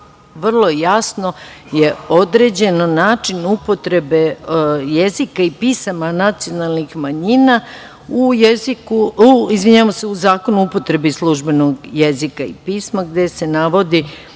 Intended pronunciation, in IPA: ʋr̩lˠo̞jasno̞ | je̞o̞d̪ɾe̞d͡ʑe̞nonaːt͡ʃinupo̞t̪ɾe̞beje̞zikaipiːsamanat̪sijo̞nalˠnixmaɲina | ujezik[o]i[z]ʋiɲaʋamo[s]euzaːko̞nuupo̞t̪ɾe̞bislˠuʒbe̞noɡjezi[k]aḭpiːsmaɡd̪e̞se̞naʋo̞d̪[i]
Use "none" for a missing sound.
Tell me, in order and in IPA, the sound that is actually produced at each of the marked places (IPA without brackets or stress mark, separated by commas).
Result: u, z, s, k, i